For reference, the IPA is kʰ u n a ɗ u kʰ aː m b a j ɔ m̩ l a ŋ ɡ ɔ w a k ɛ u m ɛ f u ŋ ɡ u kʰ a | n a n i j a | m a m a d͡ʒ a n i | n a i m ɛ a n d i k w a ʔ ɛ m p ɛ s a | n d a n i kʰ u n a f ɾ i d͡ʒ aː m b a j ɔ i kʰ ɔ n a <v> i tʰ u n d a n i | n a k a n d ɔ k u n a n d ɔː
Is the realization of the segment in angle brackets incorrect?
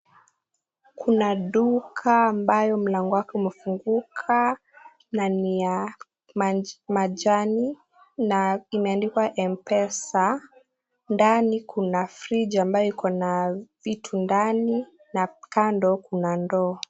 no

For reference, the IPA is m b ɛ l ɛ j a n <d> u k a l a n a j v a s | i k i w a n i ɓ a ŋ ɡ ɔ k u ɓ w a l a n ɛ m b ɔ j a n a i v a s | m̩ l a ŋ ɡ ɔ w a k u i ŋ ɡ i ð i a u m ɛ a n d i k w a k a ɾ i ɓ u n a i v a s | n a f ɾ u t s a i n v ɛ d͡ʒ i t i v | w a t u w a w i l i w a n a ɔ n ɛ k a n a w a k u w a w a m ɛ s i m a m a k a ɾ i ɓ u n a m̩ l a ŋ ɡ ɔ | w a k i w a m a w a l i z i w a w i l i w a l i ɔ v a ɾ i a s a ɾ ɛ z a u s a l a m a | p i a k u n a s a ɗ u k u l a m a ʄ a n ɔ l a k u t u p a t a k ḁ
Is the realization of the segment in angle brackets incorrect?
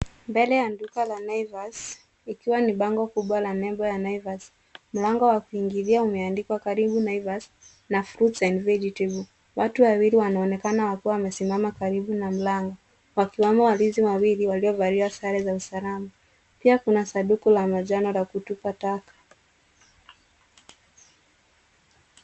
no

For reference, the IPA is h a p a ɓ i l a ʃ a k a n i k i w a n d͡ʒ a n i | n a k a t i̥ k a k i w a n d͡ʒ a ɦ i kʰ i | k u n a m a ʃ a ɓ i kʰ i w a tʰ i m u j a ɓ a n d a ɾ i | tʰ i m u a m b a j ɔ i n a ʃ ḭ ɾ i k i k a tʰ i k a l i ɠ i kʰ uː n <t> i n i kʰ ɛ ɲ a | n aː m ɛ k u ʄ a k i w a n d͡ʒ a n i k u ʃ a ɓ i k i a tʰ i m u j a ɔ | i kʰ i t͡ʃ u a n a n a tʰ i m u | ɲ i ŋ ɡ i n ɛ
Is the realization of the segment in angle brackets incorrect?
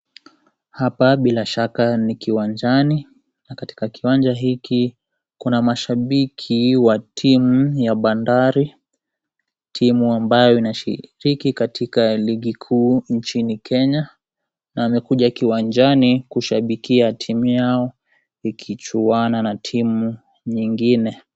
yes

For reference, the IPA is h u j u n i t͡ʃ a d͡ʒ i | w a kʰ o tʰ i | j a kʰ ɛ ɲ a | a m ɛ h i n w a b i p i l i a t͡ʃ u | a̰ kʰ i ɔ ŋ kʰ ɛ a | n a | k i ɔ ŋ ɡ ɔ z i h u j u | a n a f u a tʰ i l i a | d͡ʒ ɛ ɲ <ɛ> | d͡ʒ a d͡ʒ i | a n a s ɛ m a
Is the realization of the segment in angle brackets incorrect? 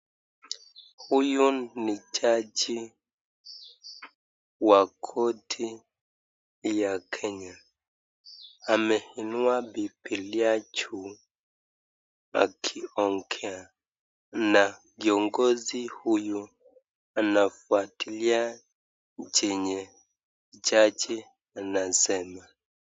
no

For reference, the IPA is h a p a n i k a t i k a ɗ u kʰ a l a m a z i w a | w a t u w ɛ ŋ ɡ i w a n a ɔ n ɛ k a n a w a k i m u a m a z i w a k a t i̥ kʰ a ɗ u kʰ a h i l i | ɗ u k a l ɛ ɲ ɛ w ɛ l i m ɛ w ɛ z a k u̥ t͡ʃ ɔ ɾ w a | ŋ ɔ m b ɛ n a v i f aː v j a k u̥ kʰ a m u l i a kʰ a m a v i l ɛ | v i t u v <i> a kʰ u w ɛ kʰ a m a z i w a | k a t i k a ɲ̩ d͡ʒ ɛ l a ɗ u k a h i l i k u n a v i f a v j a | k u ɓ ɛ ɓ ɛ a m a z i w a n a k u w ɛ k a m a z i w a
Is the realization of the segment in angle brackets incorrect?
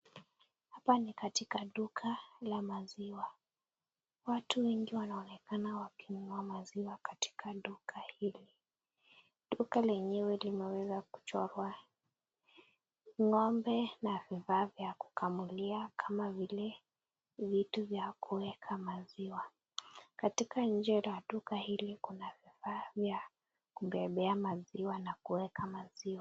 yes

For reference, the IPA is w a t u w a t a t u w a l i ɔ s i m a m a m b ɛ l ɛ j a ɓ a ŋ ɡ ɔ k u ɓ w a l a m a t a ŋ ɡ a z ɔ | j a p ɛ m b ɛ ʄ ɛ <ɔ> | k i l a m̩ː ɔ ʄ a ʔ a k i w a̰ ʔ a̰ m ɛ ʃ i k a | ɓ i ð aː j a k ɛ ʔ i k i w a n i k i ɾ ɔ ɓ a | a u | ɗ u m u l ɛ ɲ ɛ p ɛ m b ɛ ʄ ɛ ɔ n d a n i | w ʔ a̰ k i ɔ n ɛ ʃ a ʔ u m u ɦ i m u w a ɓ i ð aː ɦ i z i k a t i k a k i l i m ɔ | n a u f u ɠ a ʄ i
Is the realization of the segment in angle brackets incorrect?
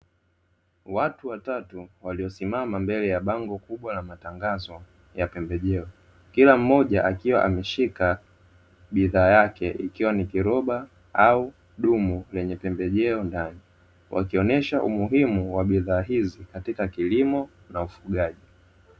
no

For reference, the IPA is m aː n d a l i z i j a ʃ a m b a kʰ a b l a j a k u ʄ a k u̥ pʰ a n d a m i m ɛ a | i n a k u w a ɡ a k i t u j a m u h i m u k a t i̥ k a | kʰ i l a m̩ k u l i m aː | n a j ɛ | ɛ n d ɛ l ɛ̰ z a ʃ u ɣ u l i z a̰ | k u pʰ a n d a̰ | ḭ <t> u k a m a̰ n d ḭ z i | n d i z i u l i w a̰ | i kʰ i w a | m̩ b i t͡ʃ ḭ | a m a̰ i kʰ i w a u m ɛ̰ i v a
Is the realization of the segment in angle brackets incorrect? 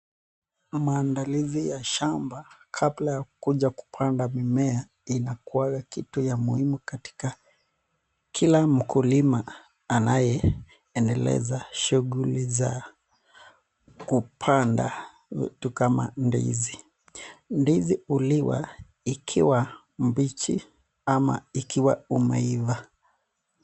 no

